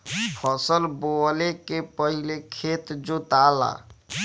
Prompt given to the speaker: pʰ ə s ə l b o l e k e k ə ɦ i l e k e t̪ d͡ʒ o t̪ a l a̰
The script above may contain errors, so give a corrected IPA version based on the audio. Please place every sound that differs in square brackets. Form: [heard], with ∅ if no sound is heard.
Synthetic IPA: pʰ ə s ə l b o l e k e [p] ə ɦ i l e [kʰ] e t̪ d͡ʒ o t̪ a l a̰